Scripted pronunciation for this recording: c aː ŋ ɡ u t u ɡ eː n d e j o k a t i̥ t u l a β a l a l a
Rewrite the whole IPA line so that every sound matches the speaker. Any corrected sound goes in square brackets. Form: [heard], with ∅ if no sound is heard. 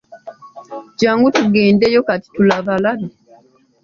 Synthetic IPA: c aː ŋ ɡ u t u ɡ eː n d e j o k a t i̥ t u l a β a l a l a